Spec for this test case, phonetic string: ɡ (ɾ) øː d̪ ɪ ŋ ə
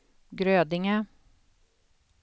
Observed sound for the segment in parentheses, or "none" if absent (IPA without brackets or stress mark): ɾ